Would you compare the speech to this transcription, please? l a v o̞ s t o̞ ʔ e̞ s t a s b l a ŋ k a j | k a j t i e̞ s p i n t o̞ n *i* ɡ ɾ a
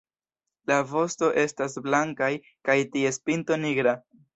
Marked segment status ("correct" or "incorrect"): correct